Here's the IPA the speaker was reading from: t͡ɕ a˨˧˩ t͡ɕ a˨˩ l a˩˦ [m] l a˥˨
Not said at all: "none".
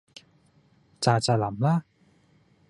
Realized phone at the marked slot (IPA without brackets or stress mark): m